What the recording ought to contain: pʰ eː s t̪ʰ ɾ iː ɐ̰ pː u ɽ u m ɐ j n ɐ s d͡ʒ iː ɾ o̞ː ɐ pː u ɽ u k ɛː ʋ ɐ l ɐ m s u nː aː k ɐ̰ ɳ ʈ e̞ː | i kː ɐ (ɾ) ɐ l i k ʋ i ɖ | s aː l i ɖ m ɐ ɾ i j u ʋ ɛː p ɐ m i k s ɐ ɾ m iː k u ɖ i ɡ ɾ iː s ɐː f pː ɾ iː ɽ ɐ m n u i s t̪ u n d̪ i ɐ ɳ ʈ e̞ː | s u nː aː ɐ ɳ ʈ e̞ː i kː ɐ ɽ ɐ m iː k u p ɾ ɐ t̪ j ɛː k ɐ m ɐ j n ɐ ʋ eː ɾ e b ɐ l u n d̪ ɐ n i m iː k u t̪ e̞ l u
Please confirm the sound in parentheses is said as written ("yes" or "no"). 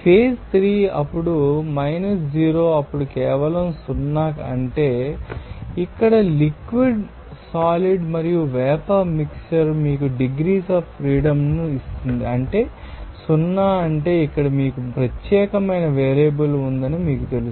no